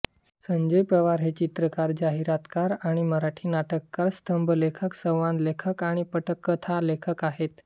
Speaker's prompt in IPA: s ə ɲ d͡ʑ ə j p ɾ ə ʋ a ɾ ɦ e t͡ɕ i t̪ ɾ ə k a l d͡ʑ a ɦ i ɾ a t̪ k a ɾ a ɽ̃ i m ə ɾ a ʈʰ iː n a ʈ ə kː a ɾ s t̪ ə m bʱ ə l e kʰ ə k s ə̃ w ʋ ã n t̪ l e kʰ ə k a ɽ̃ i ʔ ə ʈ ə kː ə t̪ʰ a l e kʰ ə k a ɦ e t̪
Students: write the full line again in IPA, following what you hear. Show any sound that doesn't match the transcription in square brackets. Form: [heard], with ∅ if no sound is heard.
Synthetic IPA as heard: s ə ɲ d͡ʑ ə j p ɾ ə ʋ a ɾ ɦ e t͡ɕ i t̪ ɾ ə k a [ɾ] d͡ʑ a ɦ i ɾ a t̪ k a ɾ a ɽ̃ i m ə ɾ a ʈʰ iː n a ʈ ə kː a ɾ s t̪ ə m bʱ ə l e kʰ ə k s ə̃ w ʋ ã n [d̪] l e kʰ ə k a ɽ̃ i [p] ə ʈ ə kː ə t̪ʰ a l e kʰ ə k a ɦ e t̪